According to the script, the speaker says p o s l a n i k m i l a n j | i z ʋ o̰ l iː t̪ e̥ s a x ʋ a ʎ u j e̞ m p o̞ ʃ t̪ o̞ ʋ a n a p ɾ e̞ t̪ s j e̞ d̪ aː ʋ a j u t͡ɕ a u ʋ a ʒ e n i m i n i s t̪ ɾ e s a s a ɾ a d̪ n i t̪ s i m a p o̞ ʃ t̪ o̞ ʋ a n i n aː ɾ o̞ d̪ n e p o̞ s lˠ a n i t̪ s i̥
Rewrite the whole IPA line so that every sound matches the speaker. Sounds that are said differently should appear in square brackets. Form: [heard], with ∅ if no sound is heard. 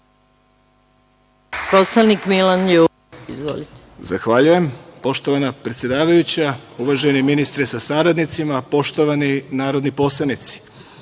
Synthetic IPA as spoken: p o s l a n i k m i l a n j | i z ʋ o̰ l [i] t̪ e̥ [z] a x ʋ a ʎ u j e̞ m p o̞ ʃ t̪ o̞ ʋ a n a p ɾ e̞ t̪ s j e̞ d̪ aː ʋ a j u t͡ɕ a u ʋ a ʒ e n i m i n i s t̪ ɾ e s a s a ɾ a d̪ n i t̪ s i m a p o̞ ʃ t̪ o̞ ʋ a n i n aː ɾ o̞ d̪ n [i] p o̞ s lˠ a n i t̪ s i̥